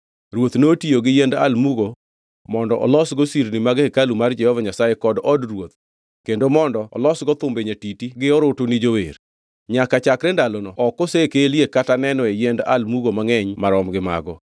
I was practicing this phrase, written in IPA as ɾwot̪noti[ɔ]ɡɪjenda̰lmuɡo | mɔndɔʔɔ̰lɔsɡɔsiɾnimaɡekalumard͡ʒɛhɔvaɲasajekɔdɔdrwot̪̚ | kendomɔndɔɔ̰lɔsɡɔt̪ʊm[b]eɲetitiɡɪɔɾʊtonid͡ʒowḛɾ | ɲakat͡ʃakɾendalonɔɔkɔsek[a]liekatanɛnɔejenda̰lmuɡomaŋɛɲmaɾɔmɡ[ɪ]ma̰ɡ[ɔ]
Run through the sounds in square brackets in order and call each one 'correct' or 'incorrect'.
incorrect: o, correct, incorrect: e, correct, correct

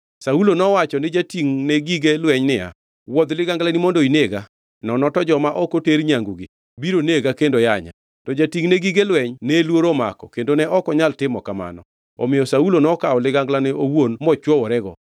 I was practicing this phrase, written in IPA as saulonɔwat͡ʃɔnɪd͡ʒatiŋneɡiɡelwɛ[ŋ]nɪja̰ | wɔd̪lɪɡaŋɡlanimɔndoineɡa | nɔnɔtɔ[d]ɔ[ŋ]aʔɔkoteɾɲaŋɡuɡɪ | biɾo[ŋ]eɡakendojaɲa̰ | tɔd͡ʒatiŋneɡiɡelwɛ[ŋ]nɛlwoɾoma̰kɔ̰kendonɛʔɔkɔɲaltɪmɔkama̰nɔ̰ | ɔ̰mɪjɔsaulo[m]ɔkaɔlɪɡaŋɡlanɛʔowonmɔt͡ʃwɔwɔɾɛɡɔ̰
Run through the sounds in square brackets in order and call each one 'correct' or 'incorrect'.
incorrect: ɲ, incorrect: d͡ʒ, incorrect: m, incorrect: n, incorrect: ɲ, incorrect: n

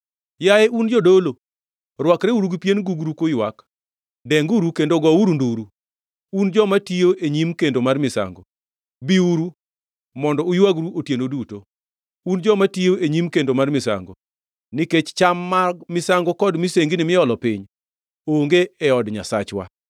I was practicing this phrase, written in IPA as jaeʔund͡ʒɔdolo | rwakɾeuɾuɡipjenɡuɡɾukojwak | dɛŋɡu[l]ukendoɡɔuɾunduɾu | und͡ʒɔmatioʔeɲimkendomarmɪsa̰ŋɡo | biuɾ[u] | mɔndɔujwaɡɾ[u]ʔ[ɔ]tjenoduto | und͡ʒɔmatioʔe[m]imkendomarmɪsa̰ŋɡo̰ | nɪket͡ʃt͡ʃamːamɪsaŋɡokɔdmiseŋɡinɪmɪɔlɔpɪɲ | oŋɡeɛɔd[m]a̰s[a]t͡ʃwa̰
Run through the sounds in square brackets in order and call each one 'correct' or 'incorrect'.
incorrect: ɾ, correct, correct, incorrect: o, incorrect: ɲ, incorrect: ɲ, correct

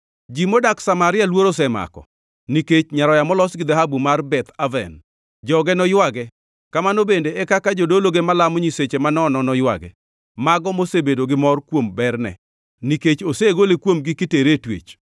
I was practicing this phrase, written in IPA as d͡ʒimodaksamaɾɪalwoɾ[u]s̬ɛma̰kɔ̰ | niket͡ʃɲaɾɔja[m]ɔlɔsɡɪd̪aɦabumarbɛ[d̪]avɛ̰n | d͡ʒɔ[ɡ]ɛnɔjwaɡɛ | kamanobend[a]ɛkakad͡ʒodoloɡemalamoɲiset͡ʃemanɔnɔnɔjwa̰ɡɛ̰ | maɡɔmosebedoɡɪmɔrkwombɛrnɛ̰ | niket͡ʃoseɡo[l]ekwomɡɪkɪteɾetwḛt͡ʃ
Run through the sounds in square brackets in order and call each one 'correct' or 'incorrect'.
incorrect: o, correct, incorrect: t̪, correct, incorrect: e, correct

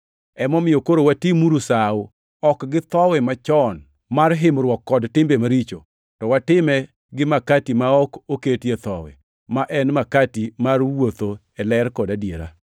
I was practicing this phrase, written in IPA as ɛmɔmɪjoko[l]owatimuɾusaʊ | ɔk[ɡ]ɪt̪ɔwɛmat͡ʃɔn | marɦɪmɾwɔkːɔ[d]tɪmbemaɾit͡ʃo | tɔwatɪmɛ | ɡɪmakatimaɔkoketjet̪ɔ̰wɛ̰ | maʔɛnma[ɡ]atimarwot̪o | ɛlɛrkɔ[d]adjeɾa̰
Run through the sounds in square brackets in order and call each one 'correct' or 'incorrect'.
incorrect: ɾ, correct, correct, incorrect: k, correct

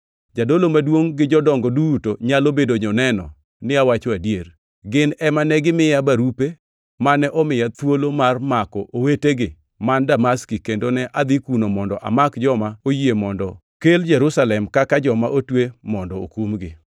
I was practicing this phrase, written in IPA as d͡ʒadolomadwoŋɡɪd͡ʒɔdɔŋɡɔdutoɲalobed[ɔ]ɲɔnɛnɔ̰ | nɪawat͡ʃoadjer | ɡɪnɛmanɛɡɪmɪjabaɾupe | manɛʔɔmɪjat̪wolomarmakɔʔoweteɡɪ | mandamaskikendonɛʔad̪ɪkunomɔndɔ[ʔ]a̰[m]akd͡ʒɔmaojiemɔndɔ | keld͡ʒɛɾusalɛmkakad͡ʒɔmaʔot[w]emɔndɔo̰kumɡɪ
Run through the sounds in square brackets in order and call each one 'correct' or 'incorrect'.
incorrect: o, correct, correct, correct

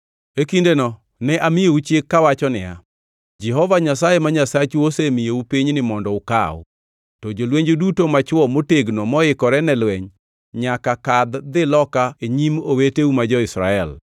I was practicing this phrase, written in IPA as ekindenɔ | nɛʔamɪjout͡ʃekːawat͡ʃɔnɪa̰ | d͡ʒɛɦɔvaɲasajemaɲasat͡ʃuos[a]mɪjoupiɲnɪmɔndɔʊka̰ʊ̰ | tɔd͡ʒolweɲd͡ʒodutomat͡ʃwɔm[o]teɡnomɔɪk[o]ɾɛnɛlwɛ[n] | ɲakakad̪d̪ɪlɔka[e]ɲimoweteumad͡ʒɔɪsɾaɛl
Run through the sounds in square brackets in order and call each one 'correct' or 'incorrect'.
incorrect: e, correct, incorrect: ɔ, incorrect: ɲ, correct

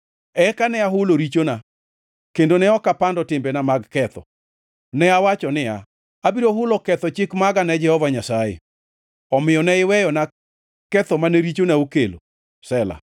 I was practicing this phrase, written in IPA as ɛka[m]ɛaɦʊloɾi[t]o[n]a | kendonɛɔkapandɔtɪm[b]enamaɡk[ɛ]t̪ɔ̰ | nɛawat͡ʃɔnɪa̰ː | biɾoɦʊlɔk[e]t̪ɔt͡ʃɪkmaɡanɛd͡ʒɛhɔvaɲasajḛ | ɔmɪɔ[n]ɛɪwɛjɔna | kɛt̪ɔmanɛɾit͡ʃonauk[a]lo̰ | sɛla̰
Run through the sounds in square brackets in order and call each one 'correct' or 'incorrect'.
incorrect: n, incorrect: t͡ʃ, correct, correct, correct, incorrect: ɛ, correct, incorrect: e

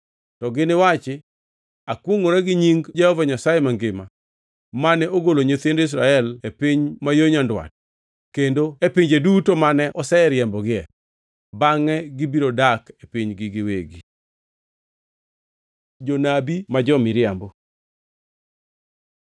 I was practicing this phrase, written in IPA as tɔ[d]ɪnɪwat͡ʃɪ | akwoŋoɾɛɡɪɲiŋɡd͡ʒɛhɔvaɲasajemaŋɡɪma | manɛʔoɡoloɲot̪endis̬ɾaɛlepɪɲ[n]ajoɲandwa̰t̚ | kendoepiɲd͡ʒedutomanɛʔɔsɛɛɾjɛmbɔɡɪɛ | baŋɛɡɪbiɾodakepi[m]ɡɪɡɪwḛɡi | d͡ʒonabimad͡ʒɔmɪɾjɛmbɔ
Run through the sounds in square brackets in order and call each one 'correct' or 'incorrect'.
incorrect: ɡ, incorrect: m, incorrect: ɲ

